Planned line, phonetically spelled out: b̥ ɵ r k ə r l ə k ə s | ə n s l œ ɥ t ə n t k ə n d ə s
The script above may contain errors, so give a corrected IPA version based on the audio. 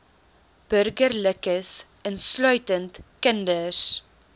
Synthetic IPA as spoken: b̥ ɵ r ɡ ə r l ə k ə s | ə n s l œ ɥ t ə n t k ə n d ə s